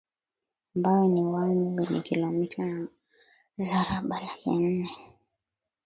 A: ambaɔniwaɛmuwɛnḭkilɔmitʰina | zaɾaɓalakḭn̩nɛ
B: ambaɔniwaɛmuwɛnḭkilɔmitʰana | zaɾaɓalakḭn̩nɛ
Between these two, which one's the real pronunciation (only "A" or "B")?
B